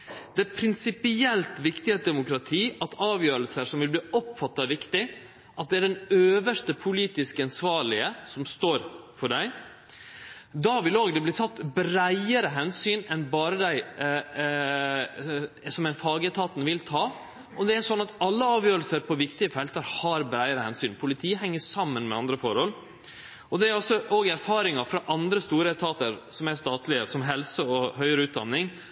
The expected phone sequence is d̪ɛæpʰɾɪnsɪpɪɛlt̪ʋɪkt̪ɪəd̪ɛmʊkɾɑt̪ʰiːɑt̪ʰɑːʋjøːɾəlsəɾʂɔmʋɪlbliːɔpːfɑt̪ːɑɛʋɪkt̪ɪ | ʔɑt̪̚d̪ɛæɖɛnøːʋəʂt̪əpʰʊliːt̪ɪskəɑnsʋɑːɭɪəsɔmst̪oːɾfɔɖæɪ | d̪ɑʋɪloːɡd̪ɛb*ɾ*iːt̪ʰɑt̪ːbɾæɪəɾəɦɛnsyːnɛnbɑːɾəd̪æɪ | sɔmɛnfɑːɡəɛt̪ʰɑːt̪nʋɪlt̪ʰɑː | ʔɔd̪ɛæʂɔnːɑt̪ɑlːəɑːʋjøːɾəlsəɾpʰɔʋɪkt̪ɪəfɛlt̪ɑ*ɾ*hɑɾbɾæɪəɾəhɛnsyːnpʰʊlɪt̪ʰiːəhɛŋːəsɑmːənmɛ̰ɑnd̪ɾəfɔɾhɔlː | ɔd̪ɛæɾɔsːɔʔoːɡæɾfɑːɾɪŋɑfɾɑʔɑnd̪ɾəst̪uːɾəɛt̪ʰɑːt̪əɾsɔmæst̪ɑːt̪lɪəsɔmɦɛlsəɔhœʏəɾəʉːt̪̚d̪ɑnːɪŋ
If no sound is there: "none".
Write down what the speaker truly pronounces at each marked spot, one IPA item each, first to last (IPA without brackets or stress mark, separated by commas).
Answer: l, ɾ